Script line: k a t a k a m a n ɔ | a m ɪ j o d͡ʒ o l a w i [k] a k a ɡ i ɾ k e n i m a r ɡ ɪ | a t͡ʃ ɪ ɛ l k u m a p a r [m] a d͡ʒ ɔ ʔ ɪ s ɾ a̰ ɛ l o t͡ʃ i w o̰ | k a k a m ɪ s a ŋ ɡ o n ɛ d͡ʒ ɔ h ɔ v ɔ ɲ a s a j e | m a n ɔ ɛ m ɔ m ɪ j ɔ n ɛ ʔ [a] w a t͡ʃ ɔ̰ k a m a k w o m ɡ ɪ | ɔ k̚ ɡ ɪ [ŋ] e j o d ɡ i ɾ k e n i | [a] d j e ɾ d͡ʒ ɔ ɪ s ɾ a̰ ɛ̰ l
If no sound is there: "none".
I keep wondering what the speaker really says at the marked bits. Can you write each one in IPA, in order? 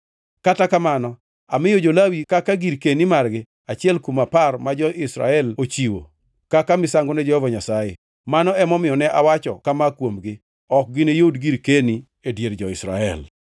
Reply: k, m, a, n, e

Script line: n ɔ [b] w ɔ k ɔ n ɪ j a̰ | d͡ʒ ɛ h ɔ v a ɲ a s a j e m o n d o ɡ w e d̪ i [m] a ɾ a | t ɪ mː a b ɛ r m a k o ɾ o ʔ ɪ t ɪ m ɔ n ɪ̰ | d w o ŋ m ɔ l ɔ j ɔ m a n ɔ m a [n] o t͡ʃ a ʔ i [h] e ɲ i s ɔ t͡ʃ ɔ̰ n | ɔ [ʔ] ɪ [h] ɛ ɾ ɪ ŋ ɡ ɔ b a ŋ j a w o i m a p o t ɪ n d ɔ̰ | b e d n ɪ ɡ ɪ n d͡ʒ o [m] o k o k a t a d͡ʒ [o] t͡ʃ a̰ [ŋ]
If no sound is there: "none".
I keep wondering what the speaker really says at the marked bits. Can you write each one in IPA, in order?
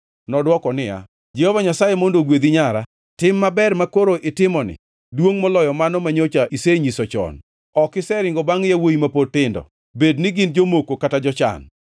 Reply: d, ɲ, ɲ, s, k, s, m, ɔ, n

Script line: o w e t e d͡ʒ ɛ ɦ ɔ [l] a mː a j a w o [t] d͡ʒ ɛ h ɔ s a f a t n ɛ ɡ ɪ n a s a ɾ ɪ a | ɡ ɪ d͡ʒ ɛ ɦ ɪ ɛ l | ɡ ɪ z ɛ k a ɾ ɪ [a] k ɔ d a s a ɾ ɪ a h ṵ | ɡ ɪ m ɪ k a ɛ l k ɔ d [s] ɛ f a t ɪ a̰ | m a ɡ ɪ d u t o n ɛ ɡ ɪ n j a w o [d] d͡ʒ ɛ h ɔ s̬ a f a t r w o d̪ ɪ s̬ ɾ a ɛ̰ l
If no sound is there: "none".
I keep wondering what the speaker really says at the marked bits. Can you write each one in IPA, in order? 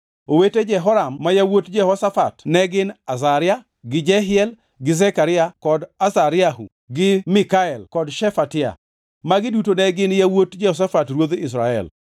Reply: ɾ, t, a, ʃ, t

